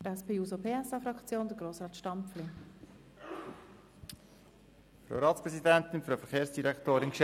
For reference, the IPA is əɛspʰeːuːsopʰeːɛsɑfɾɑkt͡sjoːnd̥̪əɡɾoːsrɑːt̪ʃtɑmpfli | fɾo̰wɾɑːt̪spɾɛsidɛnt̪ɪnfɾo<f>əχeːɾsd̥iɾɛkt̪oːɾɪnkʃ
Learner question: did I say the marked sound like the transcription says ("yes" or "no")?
yes